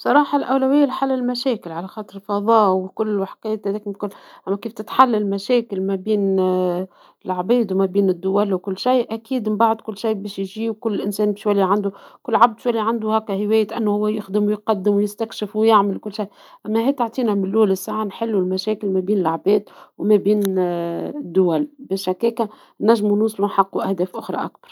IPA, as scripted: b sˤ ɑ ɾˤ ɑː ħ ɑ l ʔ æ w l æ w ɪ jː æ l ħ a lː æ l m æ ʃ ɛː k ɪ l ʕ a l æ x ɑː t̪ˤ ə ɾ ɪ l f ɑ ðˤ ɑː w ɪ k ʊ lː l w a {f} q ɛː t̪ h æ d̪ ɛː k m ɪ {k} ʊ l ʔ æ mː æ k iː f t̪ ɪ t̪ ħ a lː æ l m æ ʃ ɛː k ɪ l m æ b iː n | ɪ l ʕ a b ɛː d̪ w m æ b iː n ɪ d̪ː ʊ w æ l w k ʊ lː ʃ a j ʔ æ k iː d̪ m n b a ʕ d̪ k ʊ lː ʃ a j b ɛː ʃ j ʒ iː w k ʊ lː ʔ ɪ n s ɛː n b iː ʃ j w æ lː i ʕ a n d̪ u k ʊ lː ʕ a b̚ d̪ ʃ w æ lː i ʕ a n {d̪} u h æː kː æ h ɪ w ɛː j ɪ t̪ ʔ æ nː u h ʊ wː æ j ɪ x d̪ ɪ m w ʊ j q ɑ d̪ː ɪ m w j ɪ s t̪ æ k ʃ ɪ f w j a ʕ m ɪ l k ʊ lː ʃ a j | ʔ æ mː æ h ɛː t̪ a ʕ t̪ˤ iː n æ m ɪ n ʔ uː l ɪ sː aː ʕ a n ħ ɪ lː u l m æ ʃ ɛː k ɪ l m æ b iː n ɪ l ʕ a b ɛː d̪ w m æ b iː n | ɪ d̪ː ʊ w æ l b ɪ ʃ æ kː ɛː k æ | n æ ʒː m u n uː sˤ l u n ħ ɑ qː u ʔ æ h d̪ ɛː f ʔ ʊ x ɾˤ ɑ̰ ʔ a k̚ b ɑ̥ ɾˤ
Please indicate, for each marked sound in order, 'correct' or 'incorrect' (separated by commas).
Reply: incorrect, correct, correct